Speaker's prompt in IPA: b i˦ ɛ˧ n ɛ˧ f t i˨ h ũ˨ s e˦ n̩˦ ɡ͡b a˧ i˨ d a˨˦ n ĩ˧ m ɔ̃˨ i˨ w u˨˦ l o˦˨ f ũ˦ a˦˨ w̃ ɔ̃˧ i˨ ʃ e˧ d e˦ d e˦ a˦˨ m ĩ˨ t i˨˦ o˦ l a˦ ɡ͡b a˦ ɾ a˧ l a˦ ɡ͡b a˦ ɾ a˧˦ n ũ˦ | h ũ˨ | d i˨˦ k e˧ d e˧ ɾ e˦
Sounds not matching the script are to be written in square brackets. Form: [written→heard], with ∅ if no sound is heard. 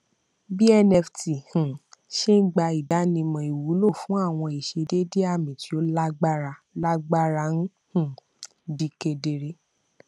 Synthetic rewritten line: b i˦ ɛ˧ n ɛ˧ f t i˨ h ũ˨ [s→ʃ] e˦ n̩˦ ɡ͡b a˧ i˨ d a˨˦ n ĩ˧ m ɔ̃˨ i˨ w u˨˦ l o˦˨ f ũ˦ a˦˨ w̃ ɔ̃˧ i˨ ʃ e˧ d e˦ d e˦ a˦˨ m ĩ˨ t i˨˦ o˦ l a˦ ɡ͡b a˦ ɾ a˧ l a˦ ɡ͡b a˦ ɾ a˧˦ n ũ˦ | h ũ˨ | d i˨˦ k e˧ d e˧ ɾ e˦